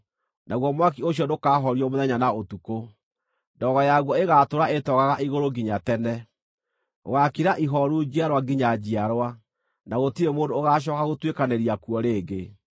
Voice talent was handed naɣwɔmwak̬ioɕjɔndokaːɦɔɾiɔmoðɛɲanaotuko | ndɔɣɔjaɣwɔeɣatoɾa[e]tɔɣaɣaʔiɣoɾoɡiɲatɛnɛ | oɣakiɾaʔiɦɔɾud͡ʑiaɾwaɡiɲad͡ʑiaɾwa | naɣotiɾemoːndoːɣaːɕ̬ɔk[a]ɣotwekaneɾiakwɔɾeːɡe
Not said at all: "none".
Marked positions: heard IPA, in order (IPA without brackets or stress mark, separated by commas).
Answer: e, a